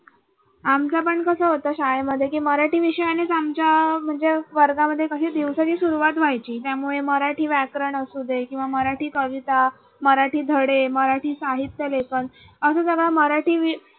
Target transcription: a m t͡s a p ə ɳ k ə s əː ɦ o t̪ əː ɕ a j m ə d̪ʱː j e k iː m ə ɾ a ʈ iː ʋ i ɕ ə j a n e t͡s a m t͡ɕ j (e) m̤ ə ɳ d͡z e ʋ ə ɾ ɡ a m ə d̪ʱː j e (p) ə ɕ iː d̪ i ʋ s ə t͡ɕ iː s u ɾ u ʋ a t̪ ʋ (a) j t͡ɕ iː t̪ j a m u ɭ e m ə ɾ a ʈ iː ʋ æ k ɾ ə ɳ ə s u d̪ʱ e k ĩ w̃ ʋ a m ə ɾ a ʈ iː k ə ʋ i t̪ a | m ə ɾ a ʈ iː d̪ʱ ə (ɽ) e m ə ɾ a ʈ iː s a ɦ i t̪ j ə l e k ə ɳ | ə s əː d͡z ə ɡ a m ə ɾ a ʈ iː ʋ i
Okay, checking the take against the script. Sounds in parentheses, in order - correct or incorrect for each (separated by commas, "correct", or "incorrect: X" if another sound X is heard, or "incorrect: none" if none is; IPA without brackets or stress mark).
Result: incorrect: a, incorrect: k, correct, correct